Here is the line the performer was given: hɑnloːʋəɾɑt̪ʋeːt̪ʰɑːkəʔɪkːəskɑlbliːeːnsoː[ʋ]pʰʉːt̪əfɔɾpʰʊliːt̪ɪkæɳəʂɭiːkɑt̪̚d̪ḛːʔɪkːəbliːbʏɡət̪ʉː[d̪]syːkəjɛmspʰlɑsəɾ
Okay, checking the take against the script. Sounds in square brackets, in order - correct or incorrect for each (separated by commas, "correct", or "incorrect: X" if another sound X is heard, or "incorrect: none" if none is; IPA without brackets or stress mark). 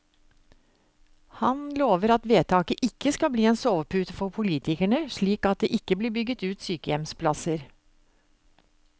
correct, incorrect: t̪